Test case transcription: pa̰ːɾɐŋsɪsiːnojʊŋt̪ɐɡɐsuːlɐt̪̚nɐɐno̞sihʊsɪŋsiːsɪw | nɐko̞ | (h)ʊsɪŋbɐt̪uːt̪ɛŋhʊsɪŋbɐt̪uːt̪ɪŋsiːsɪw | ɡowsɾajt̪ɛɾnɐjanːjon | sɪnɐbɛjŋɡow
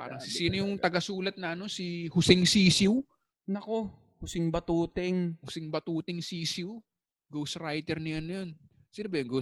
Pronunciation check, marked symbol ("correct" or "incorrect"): correct